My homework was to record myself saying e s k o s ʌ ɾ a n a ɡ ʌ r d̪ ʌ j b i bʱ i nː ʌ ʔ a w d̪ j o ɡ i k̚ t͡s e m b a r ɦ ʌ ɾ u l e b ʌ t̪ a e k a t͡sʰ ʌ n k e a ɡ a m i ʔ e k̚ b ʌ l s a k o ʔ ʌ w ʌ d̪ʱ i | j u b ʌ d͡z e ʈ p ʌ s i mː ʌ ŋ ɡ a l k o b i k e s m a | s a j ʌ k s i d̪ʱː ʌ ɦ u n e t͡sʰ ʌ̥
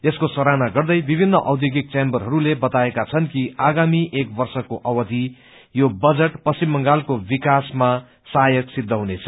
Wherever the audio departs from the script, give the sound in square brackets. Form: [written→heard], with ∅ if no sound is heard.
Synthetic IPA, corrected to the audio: e s k o s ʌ ɾ a n a ɡ ʌ r d̪ ʌ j b i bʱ i nː ʌ ʔ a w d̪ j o ɡ i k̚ t͡s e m b [a→ʌ] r ɦ ʌ ɾ u l e b ʌ t̪ a e k a t͡sʰ ʌ n k [e→i] a ɡ a m i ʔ e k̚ b ʌ [l→r] s [a→ʌ] k o ʔ ʌ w ʌ d̪ʱ i | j [u→o] b ʌ d͡z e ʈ p ʌ s i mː ʌ ŋ ɡ a l k o b i k [e→a] s m a | s a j ʌ k s i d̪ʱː ʌ ɦ u n e t͡sʰ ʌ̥